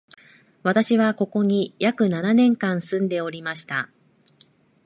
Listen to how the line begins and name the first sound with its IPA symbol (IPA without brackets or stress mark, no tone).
β